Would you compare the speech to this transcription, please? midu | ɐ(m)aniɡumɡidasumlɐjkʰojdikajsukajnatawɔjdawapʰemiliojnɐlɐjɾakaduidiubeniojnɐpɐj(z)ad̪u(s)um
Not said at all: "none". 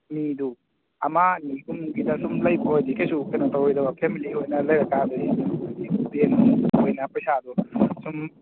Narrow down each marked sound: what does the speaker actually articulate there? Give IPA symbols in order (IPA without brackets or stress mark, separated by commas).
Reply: m, s, s